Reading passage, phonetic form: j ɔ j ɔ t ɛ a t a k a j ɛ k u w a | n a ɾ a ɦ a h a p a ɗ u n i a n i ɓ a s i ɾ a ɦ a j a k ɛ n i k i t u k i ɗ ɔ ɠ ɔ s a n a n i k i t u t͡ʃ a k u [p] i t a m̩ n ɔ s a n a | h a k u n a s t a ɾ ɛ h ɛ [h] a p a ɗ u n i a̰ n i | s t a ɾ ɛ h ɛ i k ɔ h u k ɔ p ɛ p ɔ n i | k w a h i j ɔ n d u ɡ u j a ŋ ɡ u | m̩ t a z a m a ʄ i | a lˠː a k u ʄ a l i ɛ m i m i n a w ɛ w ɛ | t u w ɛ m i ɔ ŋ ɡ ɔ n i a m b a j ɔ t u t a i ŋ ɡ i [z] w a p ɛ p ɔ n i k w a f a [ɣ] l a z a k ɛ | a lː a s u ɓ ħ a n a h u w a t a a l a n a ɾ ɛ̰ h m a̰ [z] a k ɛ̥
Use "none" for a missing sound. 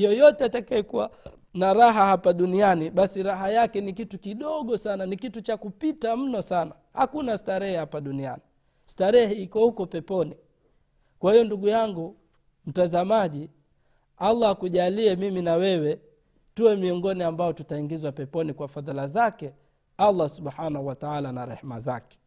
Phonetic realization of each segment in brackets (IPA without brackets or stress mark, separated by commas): p, h, z, ð, z